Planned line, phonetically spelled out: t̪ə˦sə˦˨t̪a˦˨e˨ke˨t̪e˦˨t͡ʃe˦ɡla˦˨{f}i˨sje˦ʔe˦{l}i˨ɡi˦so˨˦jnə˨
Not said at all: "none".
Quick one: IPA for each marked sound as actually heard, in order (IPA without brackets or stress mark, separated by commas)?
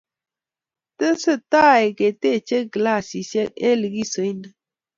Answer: s, l